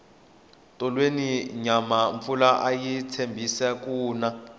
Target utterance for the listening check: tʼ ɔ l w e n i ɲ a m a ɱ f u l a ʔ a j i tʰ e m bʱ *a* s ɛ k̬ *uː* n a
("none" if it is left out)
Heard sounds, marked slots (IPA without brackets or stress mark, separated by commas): i, uː